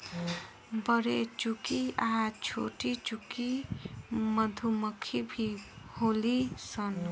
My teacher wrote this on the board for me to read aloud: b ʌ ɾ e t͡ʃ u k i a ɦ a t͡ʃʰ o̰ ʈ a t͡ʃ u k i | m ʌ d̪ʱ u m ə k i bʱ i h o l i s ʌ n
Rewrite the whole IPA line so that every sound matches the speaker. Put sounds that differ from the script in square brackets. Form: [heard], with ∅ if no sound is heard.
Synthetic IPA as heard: b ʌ ɾ e t͡ʃ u k i a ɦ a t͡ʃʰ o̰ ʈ [i] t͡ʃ u k i | m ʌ d̪ʱ u m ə [kʰ] i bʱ i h o l i s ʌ n